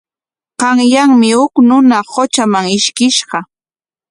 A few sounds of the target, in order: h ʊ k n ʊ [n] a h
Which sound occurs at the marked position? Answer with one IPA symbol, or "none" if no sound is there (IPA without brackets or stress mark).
n